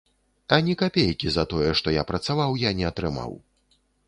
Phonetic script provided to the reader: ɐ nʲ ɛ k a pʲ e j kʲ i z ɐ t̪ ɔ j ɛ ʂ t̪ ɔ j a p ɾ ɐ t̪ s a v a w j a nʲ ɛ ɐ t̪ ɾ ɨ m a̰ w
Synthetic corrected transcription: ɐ nʲ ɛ k a pʲ e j kʲ i z ɐ t̪ ɔ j ɛ ʂ t̪ ɔ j a p ɾ ɐ t̪ s a v a w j a nʲ ɛ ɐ t̪ ɾ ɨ m a̰ w